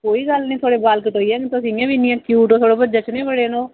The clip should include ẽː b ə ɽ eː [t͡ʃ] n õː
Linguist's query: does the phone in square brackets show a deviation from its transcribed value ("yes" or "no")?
yes